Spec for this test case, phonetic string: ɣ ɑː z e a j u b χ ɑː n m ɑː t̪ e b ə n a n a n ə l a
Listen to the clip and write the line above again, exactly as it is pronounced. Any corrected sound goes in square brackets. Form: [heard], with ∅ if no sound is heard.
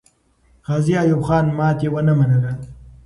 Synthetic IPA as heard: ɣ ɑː z [i] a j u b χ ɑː n m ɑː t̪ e [w] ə n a [m] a n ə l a